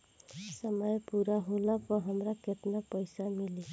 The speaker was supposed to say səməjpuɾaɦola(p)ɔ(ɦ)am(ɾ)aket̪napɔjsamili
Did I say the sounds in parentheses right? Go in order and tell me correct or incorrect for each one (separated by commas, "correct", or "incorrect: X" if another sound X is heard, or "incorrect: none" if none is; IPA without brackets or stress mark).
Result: correct, correct, correct